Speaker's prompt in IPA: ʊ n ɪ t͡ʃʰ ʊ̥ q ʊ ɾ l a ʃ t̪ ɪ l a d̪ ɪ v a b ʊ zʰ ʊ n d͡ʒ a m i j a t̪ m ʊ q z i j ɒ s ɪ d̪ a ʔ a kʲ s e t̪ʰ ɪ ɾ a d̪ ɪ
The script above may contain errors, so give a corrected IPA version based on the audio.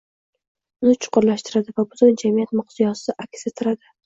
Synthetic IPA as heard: ʊ n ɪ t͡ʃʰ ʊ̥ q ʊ ɾ l a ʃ t̪ ɪ ɾ a d̪ ɪ v a b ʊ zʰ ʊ n d͡ʒ a m i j a t̪ m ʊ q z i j ɒ s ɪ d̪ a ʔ a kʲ s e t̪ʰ ɪ ɾ a d̪ ɪ